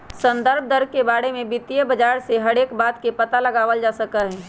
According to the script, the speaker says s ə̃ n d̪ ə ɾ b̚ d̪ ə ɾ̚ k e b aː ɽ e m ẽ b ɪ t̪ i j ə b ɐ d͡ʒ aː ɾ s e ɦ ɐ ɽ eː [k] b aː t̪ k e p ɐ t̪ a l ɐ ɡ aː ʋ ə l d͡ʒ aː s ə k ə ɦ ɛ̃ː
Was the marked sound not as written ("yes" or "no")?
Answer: no